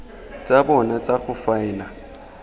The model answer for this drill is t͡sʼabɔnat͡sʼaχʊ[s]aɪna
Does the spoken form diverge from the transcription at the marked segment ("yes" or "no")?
yes